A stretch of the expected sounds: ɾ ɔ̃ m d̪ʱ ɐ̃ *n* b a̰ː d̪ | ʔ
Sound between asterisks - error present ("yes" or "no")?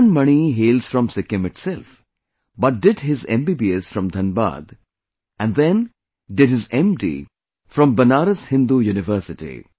no